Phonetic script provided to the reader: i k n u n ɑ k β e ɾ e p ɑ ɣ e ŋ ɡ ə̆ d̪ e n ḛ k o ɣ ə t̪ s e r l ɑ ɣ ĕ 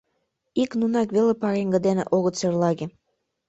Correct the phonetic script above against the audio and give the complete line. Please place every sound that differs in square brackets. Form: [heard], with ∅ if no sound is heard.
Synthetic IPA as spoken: i k n u n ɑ k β e [l] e p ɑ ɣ e ŋ ɡ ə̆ d̪ e n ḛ [ʔ] o ɣ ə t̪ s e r l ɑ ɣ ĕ